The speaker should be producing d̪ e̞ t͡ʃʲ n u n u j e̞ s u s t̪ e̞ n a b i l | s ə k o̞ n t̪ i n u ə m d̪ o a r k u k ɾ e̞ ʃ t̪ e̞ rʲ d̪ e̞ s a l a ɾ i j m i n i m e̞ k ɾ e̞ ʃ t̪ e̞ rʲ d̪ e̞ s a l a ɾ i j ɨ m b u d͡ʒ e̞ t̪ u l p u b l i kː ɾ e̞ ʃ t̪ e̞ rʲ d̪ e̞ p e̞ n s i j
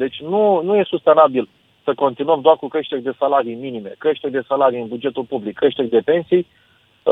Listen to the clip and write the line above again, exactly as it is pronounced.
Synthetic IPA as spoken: d̪ e̞ t͡ʃʲ n u n u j e̞ s u s t̪ e̞ n a b i l | s ə k o̞ n t̪ i n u ə m d̪ o a r k u k ɾ e̞ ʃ t̪ e̞ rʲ d̪ e̞ s a l a ɾ i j m i n i m e̞ k ɾ e̞ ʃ t̪ e̞ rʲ d̪ e̞ s a l a ɾ i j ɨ n b u d͡ʒ e̞ t̪ u l p u b l i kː ɾ e̞ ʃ t̪ e̞ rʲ d̪ e̞ p e̞ n s i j